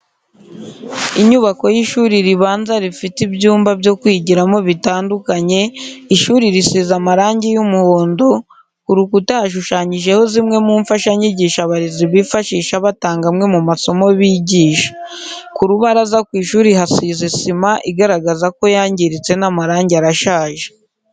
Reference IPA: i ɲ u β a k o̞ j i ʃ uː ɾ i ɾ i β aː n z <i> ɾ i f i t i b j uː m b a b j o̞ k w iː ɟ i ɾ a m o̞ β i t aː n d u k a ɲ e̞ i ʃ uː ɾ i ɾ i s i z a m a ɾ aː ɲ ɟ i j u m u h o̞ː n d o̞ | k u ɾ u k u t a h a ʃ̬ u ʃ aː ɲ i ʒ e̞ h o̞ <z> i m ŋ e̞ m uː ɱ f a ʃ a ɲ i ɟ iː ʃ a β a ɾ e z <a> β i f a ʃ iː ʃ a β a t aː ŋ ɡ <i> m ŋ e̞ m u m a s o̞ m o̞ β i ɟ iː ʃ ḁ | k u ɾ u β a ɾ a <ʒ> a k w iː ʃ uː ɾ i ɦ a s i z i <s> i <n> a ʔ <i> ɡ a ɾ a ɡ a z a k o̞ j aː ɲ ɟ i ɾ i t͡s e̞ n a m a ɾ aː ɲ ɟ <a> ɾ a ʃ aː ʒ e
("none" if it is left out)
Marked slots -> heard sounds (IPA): a, z, i, a, z, s, m, i, a

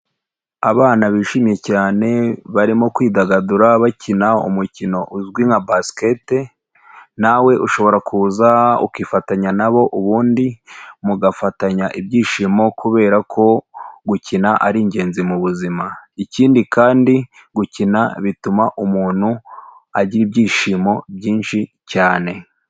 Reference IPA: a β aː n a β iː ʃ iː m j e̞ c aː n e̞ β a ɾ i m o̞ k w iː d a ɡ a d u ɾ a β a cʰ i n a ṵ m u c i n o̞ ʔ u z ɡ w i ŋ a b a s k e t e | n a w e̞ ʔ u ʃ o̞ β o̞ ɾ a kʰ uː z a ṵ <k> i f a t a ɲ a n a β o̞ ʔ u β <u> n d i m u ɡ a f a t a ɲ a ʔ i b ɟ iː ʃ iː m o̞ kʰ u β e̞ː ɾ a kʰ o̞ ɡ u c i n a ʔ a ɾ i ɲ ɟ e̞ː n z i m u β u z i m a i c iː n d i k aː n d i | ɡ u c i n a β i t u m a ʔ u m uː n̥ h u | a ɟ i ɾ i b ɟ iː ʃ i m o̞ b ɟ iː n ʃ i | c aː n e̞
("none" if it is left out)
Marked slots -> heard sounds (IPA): k, uː

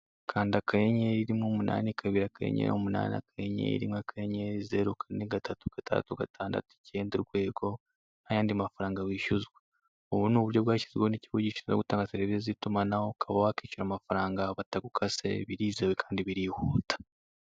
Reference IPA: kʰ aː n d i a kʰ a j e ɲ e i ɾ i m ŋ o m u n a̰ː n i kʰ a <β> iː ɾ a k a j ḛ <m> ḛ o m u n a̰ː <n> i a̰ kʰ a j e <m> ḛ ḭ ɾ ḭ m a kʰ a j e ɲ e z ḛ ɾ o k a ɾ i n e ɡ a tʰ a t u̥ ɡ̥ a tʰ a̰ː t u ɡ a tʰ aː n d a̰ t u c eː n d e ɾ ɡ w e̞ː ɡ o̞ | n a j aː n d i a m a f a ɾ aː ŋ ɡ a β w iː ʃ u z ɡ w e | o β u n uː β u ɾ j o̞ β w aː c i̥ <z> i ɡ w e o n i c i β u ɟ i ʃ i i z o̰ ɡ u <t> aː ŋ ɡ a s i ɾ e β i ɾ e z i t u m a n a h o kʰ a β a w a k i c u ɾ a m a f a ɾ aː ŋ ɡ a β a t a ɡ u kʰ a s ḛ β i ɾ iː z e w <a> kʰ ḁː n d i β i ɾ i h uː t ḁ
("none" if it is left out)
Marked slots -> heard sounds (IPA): β, ɲ, n, ɲ, z, t, e

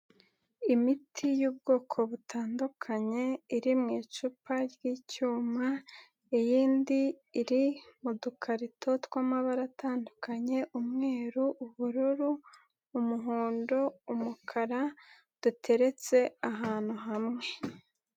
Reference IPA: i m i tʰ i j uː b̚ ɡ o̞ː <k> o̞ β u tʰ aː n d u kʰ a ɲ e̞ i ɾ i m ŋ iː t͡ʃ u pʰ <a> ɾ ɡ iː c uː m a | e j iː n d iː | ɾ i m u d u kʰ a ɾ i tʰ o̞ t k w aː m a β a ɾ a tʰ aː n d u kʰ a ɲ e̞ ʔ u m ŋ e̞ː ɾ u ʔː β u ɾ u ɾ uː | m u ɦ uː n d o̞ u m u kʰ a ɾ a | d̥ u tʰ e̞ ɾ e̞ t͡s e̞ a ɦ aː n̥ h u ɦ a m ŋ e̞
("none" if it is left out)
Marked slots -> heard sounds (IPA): kʰ, a

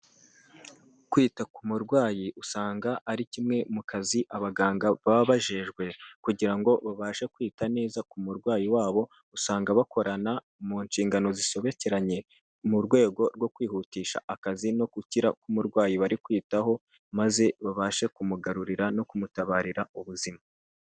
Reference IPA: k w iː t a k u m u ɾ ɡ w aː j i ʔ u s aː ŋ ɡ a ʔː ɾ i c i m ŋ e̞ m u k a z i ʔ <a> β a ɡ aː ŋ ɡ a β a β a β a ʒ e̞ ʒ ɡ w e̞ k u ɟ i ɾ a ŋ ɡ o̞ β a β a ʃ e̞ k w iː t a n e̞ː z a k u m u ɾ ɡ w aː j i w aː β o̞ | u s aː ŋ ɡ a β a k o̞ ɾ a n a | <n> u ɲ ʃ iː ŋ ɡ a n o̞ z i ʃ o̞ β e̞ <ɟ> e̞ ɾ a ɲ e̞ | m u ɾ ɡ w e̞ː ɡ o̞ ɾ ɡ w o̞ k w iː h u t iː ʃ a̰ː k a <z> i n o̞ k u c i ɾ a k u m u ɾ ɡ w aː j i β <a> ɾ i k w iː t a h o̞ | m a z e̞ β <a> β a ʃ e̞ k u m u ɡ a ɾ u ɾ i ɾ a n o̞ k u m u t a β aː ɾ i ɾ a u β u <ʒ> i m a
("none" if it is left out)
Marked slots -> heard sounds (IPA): a, m, c, z, a, a, z

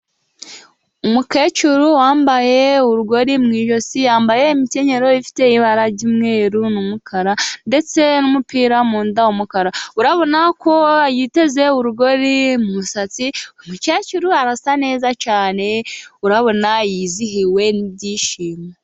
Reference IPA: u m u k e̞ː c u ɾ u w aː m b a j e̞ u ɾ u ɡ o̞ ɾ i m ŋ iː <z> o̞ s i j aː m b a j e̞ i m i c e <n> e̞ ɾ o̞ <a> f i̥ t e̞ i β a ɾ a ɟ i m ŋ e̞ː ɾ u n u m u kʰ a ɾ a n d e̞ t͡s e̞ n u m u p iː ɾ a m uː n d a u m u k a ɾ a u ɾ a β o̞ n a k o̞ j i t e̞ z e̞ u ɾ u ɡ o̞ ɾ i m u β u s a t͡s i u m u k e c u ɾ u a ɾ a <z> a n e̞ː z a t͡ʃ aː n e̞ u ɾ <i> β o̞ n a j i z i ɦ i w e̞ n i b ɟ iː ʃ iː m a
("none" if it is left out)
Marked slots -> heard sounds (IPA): ʒ, ɲ, i, s, a

